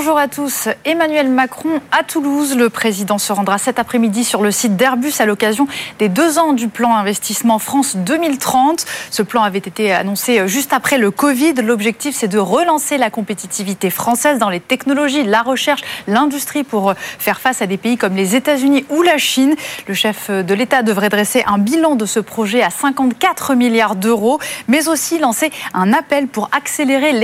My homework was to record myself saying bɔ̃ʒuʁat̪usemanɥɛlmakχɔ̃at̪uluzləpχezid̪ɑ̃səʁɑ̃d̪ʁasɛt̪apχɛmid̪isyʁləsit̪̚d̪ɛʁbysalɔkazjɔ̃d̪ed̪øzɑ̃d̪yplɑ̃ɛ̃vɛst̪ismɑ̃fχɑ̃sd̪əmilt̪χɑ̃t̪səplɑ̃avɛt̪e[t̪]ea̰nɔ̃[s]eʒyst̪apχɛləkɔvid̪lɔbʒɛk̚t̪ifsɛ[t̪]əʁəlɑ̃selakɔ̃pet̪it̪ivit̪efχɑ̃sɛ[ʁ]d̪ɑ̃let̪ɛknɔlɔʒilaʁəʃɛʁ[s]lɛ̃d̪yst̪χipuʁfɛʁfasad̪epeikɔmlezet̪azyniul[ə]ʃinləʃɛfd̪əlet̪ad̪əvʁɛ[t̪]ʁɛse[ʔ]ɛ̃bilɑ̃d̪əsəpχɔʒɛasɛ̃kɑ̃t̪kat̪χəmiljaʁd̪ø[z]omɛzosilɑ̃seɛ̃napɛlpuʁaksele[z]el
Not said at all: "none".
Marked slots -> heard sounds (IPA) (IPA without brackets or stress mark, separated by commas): t̪, s, d̪, z, ʃ, a, d̪, ʔ, ʁ, ʁ